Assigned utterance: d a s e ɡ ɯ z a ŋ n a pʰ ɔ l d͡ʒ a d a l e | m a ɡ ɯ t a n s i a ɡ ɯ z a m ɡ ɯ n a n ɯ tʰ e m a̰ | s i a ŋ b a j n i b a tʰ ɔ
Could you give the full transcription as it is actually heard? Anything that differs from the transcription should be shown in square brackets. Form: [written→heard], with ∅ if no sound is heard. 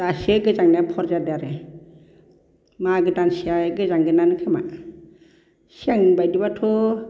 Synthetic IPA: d a s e ɡ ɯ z a ŋ n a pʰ ɔ [l→ɾ] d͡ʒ a d a [l→ɾ] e | m a ɡ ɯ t a n s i a ɡ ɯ z a [m→ŋ] ɡ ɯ n a n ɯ [tʰ→kʰ] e m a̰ | s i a ŋ b a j [n→d] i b a tʰ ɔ